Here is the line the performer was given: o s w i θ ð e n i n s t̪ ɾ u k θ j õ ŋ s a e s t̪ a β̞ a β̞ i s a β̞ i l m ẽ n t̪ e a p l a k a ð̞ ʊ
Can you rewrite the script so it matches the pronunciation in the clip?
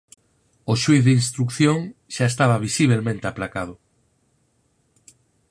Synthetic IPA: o ʃ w i θ ð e i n s t̪ ɾ u k θ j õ ŋ ʃ a e s t̪ a β̞ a β̞ i s i β̞ e l m ẽ n t̪ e a p l a k a ð̞ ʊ